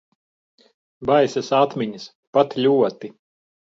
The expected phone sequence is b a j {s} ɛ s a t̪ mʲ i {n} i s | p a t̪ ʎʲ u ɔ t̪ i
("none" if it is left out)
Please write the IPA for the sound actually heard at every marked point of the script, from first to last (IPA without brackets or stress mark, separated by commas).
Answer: s, ɲ